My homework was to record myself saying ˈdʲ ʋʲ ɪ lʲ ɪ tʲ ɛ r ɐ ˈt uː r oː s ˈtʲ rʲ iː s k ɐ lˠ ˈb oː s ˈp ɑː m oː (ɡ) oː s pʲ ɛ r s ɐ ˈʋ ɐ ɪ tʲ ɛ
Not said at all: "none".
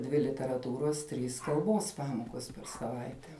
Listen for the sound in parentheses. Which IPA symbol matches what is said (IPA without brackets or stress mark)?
k